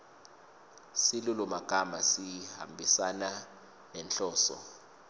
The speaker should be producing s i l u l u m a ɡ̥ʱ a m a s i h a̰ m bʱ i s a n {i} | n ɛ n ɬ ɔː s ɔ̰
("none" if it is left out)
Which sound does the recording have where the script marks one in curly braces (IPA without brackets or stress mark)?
a